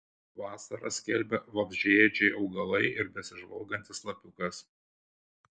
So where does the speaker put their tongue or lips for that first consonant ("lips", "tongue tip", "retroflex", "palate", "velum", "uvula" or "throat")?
lips